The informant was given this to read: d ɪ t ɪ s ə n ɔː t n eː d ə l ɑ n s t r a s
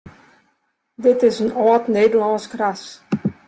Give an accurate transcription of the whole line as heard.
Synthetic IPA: d ɪ t ɪ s ə n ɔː t n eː d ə l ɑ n s k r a s

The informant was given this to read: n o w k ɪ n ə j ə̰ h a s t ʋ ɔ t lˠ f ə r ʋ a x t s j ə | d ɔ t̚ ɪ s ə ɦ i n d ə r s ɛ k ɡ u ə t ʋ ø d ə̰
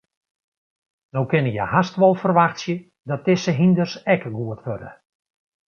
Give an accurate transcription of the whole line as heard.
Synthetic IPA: n o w k ɪ n ə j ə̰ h a s t ʋ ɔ lˠ f ə r ʋ a x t s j ə | d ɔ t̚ ɪ s ə ɦ i n d ə r s ɛ k ɡ u ə t ʋ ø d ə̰

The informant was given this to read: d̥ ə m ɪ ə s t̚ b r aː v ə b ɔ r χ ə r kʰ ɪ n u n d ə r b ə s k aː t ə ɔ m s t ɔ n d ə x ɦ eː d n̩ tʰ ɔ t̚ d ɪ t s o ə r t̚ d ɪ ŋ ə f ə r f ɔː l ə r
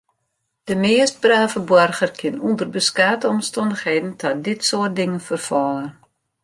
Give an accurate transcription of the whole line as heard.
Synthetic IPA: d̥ ə m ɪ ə s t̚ b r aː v ə b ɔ r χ ə r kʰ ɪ n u n d ə r b ə s k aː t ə ɔ m s t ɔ n d ə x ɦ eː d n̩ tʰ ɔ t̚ d ɪ t s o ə r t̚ d ɪ ŋ ə f ə r f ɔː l ə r

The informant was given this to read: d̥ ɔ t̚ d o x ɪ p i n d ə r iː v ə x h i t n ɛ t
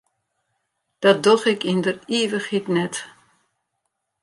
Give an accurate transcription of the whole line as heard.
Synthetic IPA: d̥ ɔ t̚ d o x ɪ k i n d ə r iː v ə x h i t n ɛ t

